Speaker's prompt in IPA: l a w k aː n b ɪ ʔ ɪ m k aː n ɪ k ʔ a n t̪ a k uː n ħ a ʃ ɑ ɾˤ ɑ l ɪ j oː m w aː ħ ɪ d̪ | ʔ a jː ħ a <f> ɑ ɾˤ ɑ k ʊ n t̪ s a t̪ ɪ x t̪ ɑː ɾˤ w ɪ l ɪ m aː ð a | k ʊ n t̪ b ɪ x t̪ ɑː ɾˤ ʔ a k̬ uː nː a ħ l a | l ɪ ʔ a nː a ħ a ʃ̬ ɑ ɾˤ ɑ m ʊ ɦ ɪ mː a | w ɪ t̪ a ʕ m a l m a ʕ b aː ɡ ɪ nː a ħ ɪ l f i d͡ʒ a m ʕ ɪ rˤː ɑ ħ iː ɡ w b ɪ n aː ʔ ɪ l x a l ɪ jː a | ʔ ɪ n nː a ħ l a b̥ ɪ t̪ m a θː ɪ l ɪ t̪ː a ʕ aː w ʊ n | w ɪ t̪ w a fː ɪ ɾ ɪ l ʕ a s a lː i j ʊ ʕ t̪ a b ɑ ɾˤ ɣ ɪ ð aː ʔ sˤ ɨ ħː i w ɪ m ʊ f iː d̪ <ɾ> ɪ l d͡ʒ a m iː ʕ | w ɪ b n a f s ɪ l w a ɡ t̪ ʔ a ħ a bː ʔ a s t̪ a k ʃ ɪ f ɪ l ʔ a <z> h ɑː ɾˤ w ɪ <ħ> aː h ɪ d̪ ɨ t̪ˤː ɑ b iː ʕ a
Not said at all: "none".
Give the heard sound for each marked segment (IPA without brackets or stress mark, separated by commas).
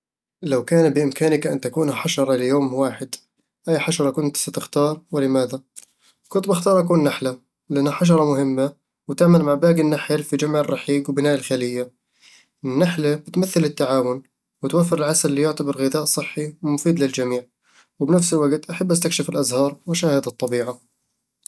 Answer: ʃ, l, z, ʃ